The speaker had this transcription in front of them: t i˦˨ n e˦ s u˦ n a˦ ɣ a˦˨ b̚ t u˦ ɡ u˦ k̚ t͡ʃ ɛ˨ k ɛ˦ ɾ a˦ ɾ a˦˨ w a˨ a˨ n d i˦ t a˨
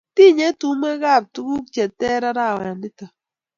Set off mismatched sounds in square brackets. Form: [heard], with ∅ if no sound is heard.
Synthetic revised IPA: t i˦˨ [ɲ] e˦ [t] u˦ [m] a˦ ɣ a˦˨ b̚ t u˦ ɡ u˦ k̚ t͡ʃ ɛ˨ [t] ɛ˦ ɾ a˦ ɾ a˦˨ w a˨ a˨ n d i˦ t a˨